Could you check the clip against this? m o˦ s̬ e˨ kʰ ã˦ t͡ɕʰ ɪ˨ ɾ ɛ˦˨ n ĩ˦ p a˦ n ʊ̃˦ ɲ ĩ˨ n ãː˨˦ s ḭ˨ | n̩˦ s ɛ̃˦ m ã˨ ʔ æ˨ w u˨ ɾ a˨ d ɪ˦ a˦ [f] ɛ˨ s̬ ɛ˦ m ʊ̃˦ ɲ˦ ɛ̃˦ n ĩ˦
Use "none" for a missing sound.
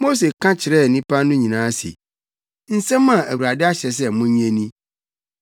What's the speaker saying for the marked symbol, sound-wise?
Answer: ɕ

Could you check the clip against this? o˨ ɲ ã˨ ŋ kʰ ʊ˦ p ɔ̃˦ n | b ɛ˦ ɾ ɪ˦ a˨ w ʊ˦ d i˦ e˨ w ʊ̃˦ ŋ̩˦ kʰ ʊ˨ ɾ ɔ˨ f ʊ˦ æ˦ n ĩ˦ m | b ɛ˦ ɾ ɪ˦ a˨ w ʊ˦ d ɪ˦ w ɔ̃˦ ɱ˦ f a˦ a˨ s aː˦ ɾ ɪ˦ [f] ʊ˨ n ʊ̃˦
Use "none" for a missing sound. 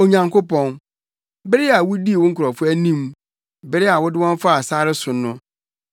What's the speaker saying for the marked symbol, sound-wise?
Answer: s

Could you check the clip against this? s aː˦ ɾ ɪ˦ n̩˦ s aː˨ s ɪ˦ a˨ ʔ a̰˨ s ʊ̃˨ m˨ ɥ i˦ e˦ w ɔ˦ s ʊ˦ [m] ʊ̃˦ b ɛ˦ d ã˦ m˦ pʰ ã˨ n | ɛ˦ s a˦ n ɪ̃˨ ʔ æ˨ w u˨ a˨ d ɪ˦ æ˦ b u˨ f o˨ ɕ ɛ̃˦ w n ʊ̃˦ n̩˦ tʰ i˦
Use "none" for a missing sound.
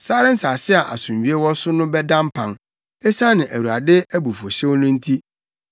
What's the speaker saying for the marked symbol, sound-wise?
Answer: n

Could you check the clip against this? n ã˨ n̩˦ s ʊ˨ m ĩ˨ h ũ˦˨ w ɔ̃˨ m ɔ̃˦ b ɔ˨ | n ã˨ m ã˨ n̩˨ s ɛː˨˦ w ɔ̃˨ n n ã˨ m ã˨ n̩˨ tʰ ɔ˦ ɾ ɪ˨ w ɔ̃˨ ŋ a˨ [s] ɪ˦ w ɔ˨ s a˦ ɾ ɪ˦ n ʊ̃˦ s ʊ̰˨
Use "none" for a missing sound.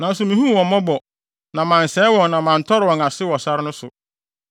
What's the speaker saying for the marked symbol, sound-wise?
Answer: s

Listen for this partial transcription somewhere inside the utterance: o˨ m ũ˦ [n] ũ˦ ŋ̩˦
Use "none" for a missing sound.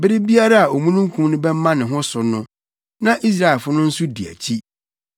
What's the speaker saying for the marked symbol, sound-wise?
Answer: n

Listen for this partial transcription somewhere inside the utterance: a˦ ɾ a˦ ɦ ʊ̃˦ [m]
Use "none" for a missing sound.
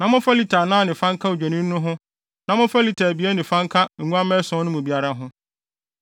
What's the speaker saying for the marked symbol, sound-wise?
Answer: none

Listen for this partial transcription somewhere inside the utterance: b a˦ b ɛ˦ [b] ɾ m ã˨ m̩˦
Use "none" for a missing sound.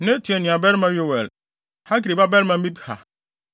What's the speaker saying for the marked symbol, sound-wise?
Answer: none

